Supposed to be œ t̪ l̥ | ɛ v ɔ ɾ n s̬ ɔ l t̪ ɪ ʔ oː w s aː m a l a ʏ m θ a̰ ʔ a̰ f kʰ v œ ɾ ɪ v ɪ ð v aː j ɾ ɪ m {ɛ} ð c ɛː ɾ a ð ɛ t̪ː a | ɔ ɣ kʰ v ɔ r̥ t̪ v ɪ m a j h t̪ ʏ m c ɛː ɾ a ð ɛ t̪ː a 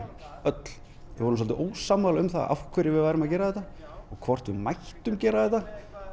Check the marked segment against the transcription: incorrect: a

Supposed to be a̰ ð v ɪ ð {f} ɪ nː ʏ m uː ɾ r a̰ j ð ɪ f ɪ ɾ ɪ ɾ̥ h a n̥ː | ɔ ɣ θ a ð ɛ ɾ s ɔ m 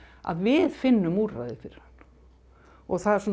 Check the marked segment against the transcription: correct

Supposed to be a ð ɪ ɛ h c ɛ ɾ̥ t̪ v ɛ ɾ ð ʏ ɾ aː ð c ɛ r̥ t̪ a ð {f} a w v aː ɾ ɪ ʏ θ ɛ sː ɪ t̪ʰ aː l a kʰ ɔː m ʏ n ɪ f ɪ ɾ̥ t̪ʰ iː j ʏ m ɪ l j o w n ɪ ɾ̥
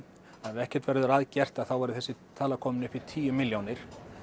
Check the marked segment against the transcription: incorrect: θ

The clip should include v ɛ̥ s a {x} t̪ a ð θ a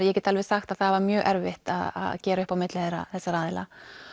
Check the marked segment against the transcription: correct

